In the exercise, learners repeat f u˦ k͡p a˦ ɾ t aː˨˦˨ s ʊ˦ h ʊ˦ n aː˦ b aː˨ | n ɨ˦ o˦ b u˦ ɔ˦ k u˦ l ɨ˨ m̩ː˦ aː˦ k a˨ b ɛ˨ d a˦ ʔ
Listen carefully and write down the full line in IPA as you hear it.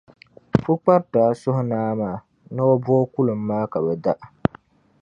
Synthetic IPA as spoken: f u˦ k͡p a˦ ɾ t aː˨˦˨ s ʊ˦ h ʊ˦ n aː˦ m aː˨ | n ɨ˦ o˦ b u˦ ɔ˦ k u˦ l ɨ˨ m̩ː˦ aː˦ k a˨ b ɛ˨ d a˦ ʔ